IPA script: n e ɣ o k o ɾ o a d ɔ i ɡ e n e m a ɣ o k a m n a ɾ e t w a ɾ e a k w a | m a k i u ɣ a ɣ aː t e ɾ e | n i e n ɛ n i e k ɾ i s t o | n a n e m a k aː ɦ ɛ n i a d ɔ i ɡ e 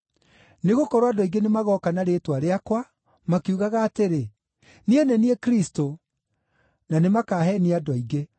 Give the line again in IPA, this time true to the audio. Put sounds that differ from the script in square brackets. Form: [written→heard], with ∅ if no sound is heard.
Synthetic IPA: n e ɣ o k [o→ɔ] ɾ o a d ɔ i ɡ e n e m a ɣ [o→ɔ] k a [m→∅] n a ɾ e t w a ɾ e a k w a | m a k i u ɣ a ɣ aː t e ɾ e | n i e n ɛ n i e k ɾ i s t o | n a n e m a k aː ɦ ɛ n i a d ɔ i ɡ e